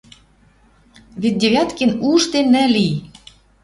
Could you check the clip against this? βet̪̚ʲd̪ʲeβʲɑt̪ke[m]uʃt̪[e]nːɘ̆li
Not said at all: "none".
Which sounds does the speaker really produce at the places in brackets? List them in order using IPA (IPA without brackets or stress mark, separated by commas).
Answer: n, e